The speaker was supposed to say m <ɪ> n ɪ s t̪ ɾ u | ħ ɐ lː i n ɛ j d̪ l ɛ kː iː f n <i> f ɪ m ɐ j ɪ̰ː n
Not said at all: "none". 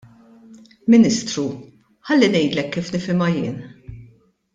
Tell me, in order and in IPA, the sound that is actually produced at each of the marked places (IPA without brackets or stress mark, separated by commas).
ɪ, ɪ